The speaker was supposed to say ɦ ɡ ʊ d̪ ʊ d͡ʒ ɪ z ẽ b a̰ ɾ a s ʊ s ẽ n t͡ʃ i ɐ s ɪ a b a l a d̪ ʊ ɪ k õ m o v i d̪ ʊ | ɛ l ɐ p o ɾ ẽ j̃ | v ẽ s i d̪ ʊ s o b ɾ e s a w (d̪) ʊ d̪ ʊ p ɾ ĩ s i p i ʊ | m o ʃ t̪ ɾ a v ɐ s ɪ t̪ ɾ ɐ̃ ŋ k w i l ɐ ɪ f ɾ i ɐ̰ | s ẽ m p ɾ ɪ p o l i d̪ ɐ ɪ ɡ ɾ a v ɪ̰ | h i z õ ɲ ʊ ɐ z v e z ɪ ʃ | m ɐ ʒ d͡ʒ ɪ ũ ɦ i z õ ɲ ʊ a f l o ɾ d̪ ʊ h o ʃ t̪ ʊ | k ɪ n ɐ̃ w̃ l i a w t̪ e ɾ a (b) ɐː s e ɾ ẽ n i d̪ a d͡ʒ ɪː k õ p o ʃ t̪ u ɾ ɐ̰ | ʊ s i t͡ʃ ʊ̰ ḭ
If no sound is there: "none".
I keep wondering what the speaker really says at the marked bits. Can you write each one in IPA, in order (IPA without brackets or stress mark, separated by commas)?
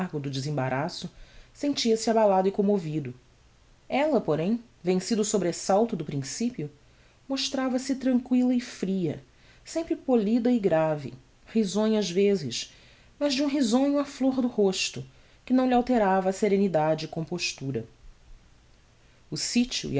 t̪, v